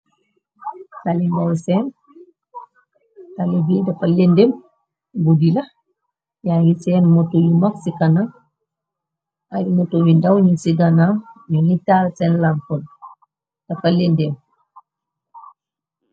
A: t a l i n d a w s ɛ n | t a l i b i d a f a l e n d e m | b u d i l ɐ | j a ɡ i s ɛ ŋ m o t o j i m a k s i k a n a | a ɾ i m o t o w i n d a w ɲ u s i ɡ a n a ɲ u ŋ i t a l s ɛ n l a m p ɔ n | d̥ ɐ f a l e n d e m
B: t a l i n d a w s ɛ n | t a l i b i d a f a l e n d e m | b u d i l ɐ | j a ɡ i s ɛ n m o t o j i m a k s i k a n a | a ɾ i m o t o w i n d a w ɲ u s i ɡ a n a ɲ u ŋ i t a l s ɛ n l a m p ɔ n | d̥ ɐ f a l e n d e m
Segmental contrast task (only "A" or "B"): B